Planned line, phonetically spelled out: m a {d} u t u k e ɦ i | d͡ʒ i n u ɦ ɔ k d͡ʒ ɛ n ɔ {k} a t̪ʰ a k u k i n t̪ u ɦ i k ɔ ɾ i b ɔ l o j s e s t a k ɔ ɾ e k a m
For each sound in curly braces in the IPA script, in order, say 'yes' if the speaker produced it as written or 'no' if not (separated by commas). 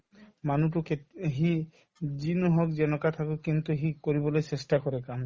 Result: no, yes